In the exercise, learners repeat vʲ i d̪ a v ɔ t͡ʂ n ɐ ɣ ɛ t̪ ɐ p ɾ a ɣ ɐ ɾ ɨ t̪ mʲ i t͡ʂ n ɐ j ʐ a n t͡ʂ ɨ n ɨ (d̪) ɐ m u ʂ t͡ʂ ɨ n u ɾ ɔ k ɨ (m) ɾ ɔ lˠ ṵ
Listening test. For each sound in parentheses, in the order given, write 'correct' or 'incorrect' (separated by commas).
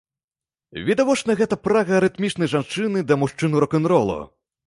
correct, incorrect